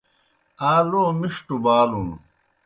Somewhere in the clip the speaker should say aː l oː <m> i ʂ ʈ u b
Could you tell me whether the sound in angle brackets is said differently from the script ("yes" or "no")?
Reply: no